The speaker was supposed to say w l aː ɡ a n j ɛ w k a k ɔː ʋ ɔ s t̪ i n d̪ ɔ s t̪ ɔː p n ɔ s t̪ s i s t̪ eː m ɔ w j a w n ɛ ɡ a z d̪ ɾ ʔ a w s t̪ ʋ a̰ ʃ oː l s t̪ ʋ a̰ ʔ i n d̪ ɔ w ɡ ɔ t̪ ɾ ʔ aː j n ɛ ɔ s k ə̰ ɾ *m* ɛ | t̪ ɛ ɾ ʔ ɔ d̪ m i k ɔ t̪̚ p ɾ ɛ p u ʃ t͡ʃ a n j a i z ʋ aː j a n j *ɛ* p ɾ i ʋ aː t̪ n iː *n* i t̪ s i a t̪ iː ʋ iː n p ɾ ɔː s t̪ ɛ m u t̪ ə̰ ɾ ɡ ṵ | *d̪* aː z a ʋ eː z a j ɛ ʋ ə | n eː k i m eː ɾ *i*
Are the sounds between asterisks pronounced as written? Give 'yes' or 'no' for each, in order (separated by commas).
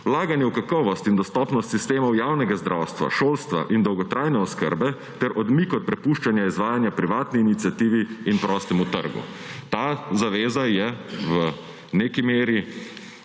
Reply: no, no, yes, no, yes